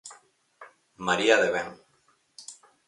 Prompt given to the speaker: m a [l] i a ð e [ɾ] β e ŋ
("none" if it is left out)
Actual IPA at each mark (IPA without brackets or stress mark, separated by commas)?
ɾ, none